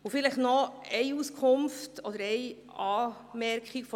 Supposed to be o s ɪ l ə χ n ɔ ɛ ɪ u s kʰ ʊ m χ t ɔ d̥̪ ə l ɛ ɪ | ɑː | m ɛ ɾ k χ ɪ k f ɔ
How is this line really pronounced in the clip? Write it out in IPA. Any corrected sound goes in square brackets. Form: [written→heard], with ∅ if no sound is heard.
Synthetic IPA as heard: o [s→f] ɪ l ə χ n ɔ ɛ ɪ u s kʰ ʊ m [χ→f] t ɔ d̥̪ ə [l→ɾ] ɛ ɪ | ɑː | m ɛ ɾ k χ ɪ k f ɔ